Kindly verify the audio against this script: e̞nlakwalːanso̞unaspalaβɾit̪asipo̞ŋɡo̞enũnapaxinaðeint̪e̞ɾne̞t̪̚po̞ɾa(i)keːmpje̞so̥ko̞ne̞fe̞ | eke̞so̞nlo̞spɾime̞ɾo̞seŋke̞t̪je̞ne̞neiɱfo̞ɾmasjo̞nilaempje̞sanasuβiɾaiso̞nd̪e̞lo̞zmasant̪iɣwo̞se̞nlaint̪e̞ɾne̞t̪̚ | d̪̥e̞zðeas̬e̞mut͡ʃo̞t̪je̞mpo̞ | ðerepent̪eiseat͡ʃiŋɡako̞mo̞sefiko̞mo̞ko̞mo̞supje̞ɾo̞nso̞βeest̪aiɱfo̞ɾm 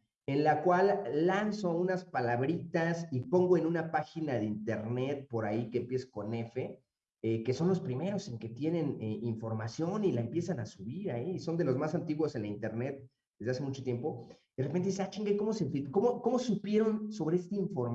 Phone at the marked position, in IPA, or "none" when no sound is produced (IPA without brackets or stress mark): i